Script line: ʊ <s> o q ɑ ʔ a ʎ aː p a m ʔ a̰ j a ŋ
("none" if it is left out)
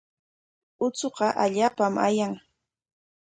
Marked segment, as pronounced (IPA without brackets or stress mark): t͡s